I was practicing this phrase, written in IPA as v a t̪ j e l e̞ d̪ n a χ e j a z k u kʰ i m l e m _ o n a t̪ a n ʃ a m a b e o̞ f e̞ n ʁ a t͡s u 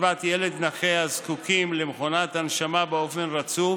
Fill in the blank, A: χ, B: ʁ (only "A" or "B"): A